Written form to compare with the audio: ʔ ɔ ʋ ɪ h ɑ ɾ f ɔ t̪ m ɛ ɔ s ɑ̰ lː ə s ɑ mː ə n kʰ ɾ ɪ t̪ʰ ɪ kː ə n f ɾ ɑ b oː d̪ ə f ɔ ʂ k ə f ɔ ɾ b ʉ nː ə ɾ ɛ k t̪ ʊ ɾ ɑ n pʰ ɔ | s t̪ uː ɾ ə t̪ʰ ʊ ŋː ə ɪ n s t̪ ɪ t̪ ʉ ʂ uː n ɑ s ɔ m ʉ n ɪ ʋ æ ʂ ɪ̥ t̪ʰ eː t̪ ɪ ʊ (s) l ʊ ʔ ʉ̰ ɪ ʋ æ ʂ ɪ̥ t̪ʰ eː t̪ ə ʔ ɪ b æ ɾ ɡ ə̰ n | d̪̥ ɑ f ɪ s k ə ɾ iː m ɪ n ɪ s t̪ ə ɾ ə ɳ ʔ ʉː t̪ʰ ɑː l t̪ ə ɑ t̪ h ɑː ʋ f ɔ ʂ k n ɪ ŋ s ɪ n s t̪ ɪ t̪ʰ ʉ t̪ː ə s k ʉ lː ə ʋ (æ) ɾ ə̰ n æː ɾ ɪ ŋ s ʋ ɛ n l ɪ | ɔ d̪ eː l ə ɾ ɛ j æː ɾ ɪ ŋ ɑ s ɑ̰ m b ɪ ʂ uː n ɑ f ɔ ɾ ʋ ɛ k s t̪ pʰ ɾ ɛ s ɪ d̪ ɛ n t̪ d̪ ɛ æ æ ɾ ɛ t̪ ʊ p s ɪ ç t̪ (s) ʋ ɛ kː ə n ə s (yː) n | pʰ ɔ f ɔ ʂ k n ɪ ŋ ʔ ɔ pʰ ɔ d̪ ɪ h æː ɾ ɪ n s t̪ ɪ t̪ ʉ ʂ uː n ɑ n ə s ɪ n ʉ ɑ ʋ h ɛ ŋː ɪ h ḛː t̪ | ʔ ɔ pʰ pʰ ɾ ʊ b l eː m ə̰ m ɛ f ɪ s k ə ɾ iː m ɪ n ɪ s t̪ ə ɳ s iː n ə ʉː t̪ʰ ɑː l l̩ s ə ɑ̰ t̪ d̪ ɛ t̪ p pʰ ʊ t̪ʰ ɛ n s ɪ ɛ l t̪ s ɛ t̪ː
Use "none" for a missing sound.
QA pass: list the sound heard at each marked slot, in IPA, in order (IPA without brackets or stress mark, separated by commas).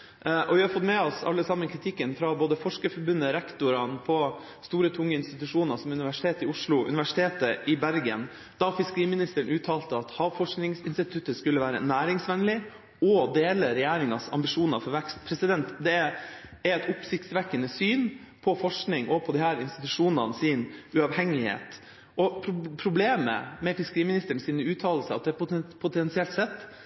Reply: ʂ, æː, s, yː